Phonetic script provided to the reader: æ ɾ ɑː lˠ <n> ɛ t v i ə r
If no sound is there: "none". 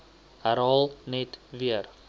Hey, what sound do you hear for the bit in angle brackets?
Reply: n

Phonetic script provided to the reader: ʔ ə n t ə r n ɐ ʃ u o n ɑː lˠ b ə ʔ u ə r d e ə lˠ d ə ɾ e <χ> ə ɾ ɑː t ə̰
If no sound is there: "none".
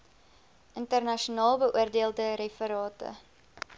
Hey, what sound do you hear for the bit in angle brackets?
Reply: f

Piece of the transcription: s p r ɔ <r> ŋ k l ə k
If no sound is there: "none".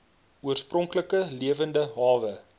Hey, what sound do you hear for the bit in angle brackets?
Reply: none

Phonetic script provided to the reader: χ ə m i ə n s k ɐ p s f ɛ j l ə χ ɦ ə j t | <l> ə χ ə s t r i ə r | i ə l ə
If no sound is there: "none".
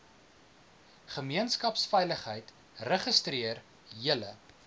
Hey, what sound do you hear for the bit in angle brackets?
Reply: r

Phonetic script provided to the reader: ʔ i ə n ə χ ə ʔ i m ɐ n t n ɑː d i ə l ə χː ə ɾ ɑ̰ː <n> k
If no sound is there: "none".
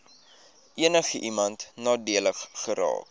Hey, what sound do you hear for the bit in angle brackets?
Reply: none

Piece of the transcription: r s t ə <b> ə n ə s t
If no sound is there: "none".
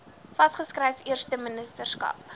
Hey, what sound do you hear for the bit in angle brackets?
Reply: m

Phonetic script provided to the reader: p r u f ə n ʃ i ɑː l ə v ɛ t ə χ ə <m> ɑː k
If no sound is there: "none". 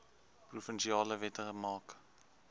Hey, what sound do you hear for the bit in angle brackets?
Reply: m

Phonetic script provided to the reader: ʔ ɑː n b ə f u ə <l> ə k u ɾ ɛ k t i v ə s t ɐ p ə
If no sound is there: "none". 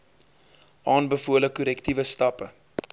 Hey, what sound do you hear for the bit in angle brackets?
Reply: l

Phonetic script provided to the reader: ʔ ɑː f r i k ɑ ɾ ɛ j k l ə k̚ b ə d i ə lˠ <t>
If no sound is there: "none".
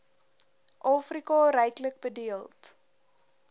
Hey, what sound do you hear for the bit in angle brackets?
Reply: t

